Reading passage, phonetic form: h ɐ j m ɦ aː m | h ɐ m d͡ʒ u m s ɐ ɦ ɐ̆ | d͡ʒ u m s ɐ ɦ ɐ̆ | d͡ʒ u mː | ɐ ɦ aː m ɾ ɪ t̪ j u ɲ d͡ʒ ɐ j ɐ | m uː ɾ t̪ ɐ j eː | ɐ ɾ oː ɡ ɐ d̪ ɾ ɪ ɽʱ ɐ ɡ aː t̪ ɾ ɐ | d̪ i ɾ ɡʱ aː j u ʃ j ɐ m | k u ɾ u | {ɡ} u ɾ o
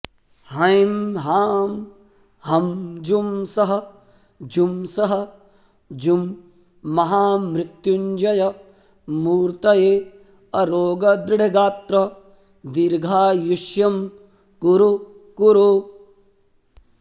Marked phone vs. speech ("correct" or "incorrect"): incorrect